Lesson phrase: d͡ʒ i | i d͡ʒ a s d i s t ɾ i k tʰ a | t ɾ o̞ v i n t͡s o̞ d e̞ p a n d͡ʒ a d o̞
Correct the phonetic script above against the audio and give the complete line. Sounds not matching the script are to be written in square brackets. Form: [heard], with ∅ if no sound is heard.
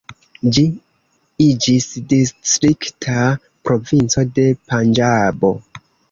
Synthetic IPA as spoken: d͡ʒ i | i d͡ʒ [i] s d i s t ɾ i k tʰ a | [p] ɾ o̞ v i n t͡s o̞ d e̞ p a n d͡ʒ a [b] o̞